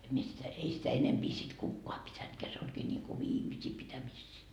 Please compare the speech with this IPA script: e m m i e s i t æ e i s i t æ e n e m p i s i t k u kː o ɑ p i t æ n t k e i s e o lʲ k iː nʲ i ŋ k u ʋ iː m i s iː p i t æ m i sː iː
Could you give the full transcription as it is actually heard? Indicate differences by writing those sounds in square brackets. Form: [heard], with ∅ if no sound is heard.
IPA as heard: e m m i e s i t æ e i s i t æ e n e m p i s i t k u kː o ɑ p i t æ n t k e [æ] s e o lʲ k iː nʲ i ŋ k u ʋ iː m i s iː p i t æ m i sː iː